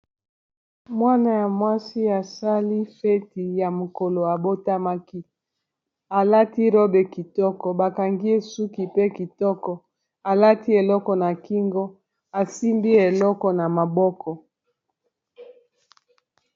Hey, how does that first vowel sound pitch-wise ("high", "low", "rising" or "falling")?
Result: high